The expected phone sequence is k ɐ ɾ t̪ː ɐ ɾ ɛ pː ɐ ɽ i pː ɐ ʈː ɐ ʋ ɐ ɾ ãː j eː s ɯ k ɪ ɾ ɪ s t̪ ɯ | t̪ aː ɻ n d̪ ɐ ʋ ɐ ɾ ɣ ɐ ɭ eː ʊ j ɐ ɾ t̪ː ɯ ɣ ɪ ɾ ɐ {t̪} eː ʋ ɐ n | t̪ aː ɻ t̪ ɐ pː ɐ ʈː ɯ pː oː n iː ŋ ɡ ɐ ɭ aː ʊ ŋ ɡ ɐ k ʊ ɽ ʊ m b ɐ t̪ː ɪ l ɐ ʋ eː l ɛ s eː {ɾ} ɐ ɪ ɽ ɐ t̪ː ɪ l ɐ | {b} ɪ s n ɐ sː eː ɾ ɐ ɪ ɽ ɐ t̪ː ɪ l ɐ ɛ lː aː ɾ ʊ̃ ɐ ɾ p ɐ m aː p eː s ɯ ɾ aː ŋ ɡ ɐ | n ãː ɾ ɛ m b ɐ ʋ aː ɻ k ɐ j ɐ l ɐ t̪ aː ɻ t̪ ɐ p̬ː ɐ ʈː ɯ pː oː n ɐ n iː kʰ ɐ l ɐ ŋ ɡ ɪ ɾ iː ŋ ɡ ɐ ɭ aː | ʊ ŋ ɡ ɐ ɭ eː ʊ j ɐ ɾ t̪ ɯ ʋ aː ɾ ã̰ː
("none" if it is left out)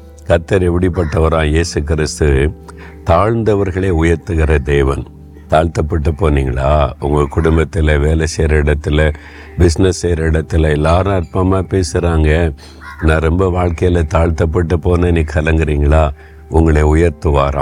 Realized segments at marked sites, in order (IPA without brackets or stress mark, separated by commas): d̪, ɾ, b